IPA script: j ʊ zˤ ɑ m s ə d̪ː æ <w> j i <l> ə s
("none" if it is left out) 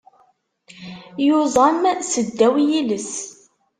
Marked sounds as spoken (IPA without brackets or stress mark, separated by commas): w, l